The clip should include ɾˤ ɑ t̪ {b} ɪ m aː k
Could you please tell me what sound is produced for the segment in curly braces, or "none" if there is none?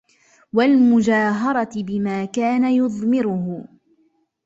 b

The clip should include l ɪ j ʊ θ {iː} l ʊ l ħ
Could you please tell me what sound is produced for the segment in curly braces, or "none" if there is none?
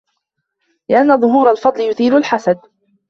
iː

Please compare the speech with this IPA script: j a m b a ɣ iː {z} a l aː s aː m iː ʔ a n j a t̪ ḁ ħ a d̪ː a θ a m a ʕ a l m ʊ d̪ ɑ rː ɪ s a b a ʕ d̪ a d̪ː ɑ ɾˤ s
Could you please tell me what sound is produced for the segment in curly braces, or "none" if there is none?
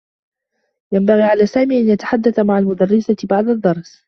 ʕ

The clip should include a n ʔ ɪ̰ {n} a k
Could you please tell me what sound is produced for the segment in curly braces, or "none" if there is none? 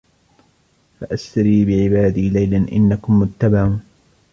nː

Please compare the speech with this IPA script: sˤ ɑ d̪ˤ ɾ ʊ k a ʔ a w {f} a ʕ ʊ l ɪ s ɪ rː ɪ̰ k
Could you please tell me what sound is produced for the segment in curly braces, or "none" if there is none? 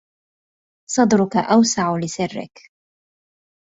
s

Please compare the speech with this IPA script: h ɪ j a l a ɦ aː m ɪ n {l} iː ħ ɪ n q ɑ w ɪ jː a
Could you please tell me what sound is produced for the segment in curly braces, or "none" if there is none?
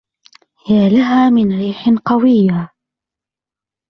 ɾ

